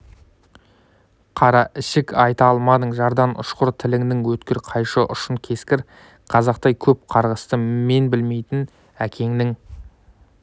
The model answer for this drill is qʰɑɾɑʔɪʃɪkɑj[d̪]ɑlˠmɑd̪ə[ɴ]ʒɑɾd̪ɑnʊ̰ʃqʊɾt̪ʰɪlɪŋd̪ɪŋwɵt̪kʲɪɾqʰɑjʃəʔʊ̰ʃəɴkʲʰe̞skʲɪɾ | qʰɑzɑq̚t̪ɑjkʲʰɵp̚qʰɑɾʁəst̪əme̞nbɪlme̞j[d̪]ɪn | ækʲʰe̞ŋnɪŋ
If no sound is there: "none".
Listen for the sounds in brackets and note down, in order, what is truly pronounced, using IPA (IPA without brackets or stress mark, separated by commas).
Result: t̪, ɴ, t̪